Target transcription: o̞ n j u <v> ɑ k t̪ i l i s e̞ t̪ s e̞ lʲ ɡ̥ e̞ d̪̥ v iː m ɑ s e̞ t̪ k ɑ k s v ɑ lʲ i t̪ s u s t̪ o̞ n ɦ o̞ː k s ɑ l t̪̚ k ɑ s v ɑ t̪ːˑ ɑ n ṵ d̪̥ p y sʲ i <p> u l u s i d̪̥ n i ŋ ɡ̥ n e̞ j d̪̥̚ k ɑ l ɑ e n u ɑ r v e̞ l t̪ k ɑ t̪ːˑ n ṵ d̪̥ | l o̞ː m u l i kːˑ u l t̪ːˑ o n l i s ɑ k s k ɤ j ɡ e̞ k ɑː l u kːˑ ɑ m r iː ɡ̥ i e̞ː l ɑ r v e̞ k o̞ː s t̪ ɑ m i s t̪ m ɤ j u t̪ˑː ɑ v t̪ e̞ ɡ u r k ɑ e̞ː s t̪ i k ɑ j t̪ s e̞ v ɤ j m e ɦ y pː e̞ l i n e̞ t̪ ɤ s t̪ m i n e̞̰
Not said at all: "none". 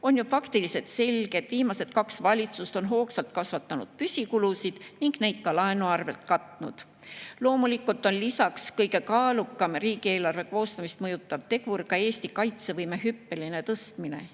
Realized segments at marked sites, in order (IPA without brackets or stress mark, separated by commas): f, k